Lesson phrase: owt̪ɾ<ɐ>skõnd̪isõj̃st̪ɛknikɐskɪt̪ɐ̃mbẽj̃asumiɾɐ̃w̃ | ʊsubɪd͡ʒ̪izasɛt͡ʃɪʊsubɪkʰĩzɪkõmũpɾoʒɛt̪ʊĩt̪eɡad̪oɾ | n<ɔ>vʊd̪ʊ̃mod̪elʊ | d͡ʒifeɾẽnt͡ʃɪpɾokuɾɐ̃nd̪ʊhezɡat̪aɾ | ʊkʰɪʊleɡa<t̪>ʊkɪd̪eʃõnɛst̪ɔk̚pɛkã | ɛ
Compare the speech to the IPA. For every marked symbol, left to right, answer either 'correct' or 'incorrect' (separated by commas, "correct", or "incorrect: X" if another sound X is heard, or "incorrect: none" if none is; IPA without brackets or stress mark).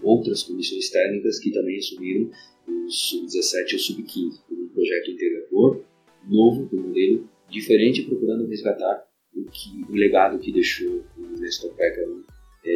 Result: correct, incorrect: o, incorrect: d̪